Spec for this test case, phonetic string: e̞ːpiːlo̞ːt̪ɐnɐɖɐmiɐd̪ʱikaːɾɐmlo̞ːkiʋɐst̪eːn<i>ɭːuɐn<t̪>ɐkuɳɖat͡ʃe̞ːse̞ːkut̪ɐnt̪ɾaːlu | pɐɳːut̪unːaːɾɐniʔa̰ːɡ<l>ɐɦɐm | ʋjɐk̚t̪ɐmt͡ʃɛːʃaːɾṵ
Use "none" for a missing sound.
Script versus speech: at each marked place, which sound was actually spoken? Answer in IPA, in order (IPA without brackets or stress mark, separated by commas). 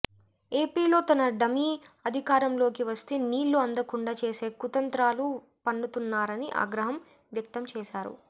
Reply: iː, d̪, ɾ